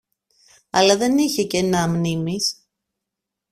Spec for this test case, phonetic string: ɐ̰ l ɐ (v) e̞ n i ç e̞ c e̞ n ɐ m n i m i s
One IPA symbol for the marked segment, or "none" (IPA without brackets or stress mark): ð